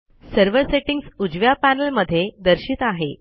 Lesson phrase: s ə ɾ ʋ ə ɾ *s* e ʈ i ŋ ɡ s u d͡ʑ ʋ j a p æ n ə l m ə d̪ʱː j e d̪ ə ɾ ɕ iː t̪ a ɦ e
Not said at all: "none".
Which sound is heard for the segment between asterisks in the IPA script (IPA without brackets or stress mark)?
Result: s